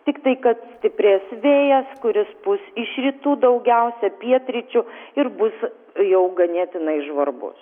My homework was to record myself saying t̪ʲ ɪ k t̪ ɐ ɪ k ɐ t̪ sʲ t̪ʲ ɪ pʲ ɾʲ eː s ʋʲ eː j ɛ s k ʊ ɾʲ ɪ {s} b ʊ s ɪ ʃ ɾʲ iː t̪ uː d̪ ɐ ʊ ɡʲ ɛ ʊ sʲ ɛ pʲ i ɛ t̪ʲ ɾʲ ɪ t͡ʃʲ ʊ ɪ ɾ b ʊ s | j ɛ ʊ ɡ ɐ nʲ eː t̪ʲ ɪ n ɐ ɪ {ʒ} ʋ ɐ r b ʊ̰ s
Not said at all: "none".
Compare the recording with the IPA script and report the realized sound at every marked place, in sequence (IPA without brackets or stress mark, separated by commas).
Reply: s, ʒ